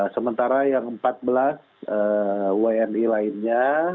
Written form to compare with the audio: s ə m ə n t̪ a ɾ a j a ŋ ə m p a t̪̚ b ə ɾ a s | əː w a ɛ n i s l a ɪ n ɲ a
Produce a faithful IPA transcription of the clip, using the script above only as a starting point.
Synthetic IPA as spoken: s ə m ə n t̪ a ɾ a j a ŋ ə m p a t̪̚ b ə l a s | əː w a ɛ n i l a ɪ n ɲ a